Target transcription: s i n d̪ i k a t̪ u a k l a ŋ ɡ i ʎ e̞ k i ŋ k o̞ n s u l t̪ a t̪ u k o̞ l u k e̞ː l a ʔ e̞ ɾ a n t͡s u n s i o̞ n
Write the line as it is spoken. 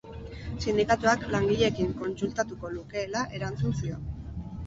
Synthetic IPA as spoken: s i n d̪ i k a t̪ u a k l a ŋ ɡ i ʎ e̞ k i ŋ k o̞ n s u l t̪ a t̪ u k o̞ l u k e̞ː l a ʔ e̞ ɾ a n t͡s u n s i o̞ n